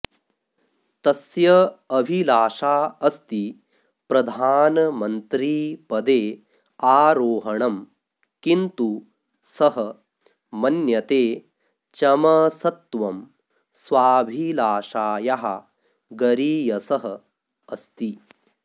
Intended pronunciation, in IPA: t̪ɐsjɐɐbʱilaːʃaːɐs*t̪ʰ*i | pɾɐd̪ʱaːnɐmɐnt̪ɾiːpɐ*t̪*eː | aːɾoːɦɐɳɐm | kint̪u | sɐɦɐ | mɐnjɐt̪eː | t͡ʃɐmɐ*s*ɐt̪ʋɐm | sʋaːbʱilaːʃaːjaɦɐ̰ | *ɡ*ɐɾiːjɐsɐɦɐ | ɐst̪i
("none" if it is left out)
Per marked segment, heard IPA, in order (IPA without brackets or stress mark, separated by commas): t̪, d̪, s, ɡ